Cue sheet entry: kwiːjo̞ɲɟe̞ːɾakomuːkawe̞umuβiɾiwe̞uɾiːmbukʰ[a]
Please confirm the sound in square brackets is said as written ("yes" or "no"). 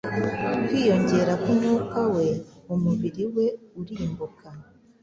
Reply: yes